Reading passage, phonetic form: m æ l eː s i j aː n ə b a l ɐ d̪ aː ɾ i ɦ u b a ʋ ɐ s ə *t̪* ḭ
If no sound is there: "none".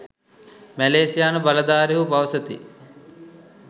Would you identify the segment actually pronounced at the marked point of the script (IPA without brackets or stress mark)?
t̪